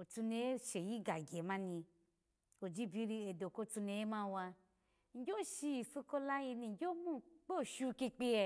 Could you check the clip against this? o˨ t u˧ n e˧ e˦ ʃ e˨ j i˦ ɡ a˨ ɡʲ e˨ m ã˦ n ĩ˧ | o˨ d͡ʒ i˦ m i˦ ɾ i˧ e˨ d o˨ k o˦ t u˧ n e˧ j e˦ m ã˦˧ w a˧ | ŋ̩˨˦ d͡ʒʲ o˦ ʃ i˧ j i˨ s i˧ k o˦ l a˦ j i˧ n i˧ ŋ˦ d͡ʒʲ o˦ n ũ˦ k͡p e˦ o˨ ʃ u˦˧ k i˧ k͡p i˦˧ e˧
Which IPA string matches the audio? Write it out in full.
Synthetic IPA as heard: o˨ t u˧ n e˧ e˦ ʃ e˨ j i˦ ɡ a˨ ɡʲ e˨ m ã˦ n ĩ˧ | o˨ d͡ʒ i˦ b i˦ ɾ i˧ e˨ d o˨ k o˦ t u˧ n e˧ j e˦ m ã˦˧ w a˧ | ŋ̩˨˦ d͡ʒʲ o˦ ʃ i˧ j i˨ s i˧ k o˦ l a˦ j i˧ n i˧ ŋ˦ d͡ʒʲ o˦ m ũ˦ k͡p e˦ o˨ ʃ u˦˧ k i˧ k͡p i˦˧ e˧